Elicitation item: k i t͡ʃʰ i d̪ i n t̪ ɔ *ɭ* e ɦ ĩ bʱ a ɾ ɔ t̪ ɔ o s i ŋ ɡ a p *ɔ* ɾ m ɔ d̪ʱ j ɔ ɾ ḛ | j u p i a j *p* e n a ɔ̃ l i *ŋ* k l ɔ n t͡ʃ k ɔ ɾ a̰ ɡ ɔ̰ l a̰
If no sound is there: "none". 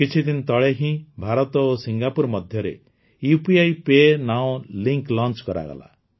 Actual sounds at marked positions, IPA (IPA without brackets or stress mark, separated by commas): ɭ, u, p, ŋ